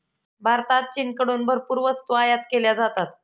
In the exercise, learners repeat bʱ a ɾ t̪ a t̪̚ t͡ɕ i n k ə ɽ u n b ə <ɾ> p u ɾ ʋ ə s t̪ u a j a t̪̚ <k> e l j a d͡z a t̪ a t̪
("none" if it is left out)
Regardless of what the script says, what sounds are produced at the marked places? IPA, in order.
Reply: ɾ, k

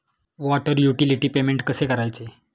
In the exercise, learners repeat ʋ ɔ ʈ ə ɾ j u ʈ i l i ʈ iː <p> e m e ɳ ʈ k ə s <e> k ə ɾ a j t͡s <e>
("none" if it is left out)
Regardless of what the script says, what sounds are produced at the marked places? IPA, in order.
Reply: p, e, e

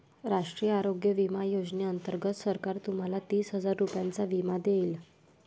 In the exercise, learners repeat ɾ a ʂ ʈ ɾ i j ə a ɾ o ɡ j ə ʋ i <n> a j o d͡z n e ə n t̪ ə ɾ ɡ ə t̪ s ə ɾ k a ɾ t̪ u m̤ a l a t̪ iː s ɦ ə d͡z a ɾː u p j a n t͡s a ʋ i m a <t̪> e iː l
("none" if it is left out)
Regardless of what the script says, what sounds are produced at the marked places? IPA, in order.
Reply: m, d̪

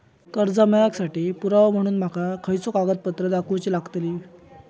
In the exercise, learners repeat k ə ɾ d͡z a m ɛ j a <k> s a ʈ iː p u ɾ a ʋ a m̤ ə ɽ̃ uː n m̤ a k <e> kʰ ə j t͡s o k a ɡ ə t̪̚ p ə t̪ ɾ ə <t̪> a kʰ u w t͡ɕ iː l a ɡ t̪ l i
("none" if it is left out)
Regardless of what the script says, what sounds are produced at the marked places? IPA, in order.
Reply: k, a, d̪

